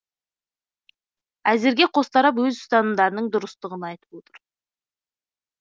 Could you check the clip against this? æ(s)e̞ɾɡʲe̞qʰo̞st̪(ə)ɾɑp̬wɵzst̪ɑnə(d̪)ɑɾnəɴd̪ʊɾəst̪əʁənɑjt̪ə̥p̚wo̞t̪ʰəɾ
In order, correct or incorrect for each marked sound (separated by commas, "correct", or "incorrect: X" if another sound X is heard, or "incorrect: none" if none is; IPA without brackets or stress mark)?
incorrect: z, incorrect: ɑ, correct